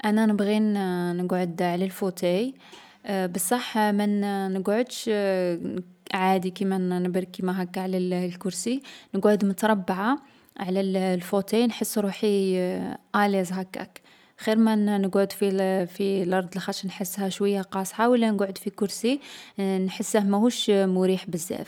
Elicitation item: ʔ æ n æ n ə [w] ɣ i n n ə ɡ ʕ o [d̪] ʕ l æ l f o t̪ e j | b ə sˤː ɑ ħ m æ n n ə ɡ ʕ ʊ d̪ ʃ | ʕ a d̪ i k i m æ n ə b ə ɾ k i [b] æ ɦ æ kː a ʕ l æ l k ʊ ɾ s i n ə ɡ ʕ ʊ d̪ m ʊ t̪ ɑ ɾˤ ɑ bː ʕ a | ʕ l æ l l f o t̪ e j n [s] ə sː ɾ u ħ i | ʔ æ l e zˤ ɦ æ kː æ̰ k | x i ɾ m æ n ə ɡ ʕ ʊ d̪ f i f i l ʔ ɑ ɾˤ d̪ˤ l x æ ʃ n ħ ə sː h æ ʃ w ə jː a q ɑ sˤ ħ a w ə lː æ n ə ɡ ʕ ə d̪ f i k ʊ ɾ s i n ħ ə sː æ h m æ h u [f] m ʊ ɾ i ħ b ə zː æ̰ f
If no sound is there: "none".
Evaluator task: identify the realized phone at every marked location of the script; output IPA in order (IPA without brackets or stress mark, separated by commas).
b, d̪, m, ħ, ʃ